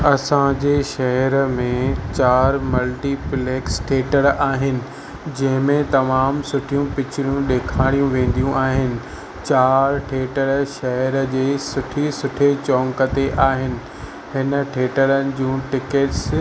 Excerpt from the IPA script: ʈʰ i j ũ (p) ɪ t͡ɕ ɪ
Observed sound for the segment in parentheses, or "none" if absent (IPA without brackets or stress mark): p